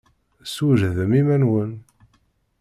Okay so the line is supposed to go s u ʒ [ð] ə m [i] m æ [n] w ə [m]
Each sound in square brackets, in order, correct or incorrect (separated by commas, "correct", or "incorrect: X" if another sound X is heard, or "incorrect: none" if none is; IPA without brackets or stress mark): correct, correct, correct, incorrect: n